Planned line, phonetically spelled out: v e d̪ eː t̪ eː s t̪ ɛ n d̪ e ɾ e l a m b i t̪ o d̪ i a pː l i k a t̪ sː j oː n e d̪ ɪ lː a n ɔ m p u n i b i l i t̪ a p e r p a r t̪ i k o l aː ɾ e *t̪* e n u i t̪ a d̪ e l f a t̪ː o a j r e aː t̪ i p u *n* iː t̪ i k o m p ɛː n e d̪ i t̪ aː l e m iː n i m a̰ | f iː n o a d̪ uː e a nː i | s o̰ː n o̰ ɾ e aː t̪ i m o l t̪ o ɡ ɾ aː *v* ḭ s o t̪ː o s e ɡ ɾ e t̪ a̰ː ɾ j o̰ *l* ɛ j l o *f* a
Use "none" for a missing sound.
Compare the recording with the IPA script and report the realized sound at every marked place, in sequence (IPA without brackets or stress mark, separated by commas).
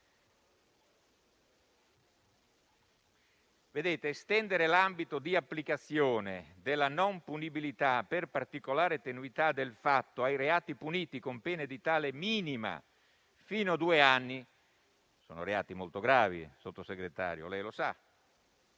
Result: t̪, n, v, l, s